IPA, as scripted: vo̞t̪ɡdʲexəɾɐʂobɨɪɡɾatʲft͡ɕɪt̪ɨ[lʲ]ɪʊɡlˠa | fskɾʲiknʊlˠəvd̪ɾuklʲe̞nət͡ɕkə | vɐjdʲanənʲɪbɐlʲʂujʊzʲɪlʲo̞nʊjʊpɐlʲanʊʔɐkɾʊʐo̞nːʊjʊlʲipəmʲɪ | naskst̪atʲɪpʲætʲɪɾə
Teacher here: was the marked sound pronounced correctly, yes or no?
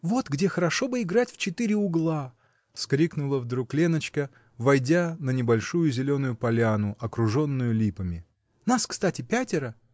no